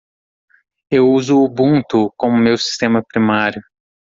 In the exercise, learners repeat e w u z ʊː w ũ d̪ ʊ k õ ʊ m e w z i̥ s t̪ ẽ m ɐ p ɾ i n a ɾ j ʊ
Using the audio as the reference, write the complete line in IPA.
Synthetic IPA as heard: e w u z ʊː b ũ t̪ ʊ k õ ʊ m e w s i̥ s t̪ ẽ m ɐ p ɾ i m a ɾ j ʊ